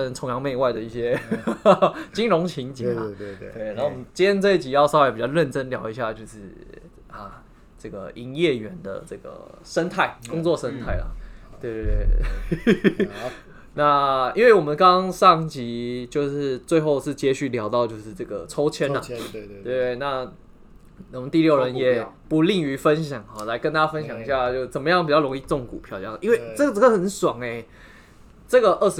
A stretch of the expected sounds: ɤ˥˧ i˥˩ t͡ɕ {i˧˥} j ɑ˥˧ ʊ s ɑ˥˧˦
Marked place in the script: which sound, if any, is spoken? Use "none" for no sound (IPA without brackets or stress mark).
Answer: i˨˩